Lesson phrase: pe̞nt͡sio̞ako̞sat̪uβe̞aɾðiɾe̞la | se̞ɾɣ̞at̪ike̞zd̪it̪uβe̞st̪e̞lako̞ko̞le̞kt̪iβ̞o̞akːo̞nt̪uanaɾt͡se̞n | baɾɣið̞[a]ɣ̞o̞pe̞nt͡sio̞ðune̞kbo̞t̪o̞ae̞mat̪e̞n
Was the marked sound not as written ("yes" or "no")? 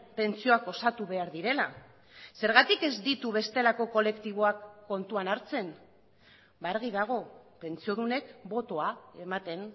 no